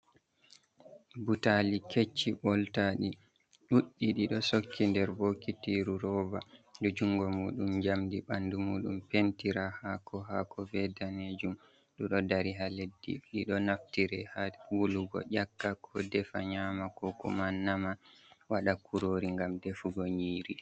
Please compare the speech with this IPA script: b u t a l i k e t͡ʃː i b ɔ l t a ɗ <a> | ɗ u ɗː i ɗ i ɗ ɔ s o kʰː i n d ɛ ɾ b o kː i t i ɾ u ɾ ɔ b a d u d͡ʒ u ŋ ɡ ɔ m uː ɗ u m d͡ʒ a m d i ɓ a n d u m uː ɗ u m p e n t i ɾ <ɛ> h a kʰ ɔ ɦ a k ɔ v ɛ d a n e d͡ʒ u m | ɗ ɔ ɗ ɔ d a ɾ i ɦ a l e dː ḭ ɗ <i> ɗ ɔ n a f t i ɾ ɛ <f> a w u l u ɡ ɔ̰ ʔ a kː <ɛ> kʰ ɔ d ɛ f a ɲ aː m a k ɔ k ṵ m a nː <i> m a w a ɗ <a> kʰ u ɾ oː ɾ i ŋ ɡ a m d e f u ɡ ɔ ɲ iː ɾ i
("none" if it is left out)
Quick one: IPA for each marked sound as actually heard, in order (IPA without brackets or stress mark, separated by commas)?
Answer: i, a, i, h, a, a, a